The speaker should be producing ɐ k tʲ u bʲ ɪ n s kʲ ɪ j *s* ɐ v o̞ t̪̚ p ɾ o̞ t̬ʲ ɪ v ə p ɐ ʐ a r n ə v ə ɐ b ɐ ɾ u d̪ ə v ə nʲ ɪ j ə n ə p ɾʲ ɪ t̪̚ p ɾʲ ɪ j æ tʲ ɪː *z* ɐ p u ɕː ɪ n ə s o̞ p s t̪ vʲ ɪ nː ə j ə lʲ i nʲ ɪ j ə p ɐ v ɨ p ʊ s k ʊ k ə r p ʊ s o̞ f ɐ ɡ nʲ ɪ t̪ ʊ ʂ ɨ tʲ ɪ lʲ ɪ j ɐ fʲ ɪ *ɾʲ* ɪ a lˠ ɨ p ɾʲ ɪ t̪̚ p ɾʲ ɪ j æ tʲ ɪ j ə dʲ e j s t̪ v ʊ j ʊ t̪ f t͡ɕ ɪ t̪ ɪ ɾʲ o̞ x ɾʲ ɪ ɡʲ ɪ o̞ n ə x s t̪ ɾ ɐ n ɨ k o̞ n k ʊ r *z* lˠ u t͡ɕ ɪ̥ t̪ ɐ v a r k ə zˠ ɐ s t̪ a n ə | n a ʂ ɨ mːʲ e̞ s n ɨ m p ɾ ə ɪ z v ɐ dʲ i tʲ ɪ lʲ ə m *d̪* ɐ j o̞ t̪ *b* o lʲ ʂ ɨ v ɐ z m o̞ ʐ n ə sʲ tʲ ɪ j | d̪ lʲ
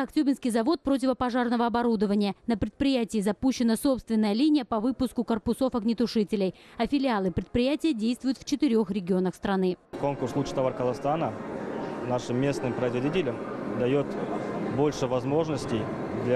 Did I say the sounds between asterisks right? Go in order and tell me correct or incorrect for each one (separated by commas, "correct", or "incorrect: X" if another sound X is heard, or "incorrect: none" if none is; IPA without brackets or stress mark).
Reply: incorrect: z, correct, incorrect: lʲ, incorrect: s, correct, correct